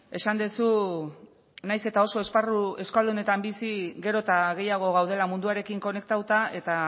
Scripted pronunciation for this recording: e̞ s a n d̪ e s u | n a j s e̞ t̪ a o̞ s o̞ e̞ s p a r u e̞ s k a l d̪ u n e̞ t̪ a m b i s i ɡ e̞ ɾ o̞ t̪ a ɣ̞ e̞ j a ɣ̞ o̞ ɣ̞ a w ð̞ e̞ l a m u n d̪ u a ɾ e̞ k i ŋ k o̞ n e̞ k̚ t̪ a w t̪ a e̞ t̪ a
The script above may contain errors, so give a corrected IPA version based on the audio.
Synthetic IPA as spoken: e̞ s a n d̪ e s u | n a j s e̞ t̪ a o̞ s o̞ e̞ s p a r u e̞ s k a l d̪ u n e̞ t̪ a m b i s i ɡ e̞ ɾ o̞ t̪ a ɣ̞ e̞ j a ɣ̞ o̞ ɣ̞ a w ð̞ e̞ l a m u n d̪ u a ɾ e̞ k i ŋ k o̞ n e̞ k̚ t̪ a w t̪ a e̞ t̪ a